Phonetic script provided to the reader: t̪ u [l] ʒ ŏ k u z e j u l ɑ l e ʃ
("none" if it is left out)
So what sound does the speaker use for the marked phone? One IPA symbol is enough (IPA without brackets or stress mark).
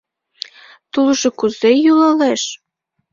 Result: l